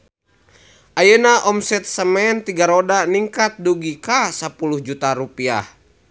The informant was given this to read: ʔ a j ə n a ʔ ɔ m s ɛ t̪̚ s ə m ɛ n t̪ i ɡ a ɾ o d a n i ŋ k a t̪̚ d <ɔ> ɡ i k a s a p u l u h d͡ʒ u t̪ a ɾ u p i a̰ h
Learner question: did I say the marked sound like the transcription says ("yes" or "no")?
no